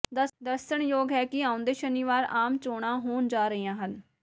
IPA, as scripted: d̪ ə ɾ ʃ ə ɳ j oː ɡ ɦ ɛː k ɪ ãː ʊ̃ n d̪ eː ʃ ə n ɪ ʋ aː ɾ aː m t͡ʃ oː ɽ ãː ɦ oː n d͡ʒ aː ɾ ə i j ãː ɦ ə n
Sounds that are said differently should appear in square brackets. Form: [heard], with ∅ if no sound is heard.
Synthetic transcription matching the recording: d̪ ə ɾ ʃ ə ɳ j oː ɡ ɦ ɛː k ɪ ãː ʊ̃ n d̪ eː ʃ ə n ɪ ʋ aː ɾ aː m t͡ʃ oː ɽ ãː ɦ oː n d͡ʒ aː ɾ ə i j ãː ɦ ə n